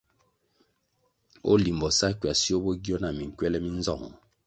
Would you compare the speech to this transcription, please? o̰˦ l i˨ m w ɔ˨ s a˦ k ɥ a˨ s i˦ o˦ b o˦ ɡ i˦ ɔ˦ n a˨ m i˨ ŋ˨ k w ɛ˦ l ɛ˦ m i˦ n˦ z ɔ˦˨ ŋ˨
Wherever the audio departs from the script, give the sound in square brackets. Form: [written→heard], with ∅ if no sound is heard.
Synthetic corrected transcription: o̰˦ l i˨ m [w→b] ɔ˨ s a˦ k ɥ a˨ s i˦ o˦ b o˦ ɡ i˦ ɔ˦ n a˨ m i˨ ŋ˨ k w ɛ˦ l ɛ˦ m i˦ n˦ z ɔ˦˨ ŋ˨

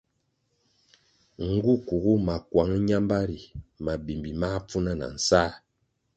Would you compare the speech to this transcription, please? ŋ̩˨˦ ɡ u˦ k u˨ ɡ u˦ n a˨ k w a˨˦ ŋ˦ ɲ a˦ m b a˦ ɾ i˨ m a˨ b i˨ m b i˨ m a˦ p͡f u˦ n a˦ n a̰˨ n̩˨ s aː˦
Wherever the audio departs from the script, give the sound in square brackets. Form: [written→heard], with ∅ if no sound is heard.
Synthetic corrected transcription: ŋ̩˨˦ ɡ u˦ k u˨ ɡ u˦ [n→m] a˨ k w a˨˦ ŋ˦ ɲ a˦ m b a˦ ɾ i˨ m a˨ b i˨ m b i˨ m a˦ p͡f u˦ n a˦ n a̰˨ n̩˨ s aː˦

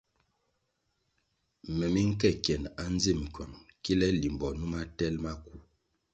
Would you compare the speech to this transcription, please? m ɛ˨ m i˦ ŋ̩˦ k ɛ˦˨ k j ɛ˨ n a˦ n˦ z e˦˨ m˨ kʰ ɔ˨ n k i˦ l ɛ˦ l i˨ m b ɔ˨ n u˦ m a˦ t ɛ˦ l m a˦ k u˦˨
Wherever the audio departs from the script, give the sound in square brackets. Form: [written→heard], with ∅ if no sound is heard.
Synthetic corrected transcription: m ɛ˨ m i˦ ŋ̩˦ k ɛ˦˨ k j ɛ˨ n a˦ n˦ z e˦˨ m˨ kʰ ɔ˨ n k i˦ l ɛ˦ l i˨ m b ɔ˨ n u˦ m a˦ t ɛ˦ l m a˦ k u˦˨

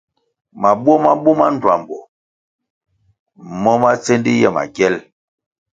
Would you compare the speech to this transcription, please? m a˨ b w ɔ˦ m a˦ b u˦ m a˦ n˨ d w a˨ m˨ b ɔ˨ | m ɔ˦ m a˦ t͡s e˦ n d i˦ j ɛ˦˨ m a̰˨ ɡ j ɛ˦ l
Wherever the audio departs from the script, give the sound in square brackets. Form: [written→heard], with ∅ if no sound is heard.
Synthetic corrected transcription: m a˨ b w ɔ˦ m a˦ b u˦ m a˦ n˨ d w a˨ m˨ b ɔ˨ | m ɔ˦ m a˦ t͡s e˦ n d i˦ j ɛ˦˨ m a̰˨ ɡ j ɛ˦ l

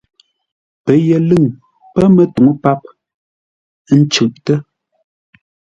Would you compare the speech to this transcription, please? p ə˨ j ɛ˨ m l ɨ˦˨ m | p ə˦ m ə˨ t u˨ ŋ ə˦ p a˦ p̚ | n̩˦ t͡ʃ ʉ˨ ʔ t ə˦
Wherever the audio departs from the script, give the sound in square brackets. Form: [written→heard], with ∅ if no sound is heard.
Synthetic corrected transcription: p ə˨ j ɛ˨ [m→∅] l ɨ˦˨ [m→ŋ] | p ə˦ m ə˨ t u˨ ŋ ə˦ p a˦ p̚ | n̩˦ t͡ʃ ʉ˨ ʔ t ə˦

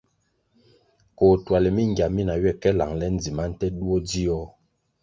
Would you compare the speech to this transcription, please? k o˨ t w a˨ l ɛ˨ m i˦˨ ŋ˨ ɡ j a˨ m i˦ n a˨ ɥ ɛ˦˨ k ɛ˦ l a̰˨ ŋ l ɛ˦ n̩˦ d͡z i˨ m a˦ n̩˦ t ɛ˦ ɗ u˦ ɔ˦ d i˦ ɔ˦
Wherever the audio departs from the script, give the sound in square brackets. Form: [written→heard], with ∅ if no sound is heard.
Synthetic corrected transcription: k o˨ t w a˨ l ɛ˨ m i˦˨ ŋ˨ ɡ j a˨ m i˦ n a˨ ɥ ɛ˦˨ k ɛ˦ l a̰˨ ŋ l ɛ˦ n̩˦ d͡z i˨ m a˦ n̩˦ t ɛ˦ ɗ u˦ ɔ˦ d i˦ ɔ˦

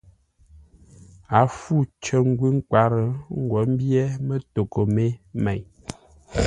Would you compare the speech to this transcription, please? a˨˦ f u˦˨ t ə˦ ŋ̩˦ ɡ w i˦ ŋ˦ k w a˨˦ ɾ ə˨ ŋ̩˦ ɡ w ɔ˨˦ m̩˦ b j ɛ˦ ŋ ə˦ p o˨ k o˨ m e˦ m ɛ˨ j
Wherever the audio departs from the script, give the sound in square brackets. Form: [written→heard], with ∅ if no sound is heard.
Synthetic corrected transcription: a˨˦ f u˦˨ [t→t͡ʃ] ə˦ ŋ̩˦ ɡ w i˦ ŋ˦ k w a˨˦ ɾ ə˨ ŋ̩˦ ɡ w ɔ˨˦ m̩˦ b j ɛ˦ [ŋ→m] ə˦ [p→t] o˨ k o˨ m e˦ m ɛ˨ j

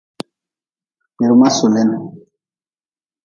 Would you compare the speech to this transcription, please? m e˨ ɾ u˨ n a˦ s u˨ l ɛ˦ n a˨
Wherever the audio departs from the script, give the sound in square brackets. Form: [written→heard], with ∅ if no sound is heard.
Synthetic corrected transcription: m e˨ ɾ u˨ [n→m] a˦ s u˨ l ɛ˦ n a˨

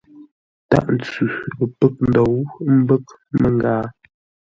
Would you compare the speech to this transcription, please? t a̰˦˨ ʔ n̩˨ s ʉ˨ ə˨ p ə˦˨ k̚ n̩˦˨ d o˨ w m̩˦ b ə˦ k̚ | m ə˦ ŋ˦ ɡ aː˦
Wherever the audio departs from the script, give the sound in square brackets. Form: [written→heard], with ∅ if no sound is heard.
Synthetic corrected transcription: t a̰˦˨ ʔ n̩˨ [s→t͡s] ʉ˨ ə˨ p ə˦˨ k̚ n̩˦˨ d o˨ w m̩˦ b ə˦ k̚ | m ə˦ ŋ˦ ɡ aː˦

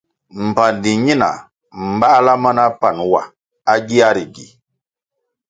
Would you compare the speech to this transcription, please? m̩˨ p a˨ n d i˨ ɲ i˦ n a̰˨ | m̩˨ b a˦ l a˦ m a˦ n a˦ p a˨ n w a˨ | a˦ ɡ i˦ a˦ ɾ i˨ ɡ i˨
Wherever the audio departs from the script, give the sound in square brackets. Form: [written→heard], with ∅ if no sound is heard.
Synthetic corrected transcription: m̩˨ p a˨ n d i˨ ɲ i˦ n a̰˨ | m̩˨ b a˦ l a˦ m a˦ n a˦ p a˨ n w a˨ | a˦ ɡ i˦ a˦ ɾ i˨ ɡ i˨

